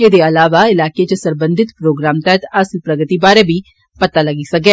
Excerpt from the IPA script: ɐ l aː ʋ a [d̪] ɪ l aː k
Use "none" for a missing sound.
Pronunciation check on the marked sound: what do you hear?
none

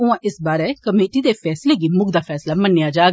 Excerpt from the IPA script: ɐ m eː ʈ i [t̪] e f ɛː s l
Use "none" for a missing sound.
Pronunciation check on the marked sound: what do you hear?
d̪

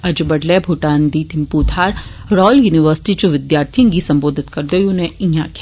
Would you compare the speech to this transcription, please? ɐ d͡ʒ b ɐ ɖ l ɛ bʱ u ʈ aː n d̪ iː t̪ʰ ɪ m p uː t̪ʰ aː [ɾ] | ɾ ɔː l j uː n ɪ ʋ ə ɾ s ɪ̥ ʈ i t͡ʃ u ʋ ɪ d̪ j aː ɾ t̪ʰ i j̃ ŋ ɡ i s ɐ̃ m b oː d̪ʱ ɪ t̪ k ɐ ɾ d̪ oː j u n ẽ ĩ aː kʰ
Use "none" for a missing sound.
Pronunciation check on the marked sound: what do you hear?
ɾ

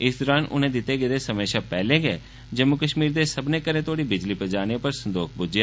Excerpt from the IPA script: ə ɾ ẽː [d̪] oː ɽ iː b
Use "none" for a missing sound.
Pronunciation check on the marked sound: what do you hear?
t̪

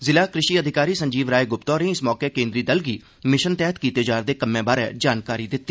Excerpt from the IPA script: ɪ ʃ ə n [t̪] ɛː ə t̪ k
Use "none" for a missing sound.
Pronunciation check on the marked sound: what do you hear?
t̪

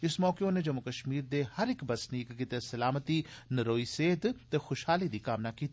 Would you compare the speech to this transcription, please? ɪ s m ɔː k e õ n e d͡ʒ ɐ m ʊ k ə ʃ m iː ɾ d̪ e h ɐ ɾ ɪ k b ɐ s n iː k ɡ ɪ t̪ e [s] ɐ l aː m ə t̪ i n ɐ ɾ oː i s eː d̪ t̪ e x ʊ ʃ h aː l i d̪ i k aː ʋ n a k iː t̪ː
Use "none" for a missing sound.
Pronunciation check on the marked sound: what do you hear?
s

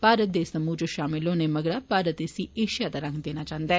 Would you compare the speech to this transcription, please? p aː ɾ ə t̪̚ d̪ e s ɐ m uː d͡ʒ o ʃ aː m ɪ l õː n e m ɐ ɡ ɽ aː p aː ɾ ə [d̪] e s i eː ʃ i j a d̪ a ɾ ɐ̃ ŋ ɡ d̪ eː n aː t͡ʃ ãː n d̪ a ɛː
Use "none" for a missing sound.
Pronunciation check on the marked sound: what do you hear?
t̪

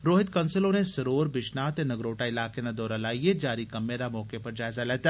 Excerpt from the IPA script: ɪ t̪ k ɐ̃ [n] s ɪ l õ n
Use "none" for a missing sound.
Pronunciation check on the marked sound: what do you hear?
n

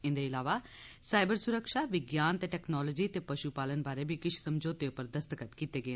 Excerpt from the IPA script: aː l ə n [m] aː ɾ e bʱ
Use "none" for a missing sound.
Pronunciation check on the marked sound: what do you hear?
b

